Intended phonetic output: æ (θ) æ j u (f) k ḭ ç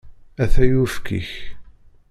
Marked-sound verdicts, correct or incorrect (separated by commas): correct, correct